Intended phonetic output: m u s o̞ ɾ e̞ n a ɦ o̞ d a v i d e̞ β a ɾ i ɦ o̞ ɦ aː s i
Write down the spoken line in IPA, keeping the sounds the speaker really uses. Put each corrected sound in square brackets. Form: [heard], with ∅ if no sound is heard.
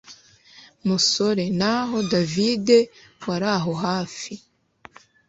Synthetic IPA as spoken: m u s o̞ ɾ e̞ n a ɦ o̞ d a v i d e̞ [w] a ɾ [a] ɦ o̞ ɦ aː [f] i